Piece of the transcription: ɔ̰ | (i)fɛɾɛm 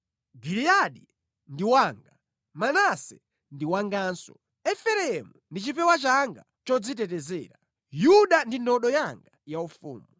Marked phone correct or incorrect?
incorrect